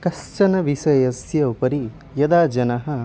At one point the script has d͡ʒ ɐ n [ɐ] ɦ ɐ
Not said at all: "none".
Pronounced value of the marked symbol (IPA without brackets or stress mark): ɐ